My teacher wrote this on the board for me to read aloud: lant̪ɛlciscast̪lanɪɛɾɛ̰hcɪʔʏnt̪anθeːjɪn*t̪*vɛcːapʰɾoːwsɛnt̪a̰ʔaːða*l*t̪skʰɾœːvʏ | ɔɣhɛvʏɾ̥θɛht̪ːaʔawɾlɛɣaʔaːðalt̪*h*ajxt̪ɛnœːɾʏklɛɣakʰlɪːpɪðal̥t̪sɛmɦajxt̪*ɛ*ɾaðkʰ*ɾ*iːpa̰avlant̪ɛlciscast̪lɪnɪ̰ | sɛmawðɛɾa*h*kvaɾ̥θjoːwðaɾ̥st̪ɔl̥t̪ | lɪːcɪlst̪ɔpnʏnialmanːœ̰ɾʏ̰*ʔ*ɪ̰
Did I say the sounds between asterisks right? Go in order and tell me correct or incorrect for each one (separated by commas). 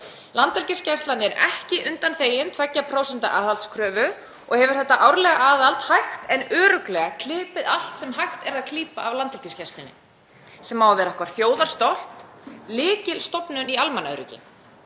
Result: incorrect, correct, correct, correct, incorrect, correct, incorrect